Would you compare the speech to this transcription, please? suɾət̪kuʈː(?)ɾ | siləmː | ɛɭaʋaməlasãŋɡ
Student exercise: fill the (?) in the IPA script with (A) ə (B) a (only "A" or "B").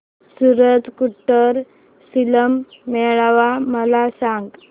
A